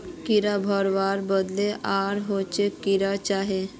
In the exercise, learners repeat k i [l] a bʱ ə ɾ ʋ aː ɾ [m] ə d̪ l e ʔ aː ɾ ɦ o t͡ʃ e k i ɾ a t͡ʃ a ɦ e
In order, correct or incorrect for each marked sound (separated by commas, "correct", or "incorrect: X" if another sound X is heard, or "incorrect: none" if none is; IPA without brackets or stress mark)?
incorrect: ɾ, incorrect: b